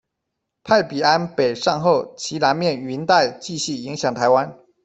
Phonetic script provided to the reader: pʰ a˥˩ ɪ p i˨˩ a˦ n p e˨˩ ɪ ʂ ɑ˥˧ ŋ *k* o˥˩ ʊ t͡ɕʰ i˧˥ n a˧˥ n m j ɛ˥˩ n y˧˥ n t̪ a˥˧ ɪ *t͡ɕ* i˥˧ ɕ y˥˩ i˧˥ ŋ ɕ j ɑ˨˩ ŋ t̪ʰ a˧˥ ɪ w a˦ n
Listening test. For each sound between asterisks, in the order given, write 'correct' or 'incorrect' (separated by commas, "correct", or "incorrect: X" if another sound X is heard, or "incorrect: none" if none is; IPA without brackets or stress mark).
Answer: incorrect: x, correct